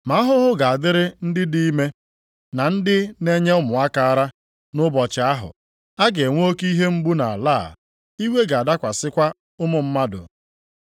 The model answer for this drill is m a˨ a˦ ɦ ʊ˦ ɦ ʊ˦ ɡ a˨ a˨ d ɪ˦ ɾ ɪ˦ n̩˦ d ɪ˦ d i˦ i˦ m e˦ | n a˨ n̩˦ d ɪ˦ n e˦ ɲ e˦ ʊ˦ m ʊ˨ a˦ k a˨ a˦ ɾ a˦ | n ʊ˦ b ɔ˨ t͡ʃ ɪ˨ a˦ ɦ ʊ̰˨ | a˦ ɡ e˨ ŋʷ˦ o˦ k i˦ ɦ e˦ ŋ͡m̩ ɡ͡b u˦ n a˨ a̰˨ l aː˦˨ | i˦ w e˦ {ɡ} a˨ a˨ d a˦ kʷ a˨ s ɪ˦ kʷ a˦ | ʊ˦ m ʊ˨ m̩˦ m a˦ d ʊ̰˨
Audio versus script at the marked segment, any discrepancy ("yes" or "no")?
no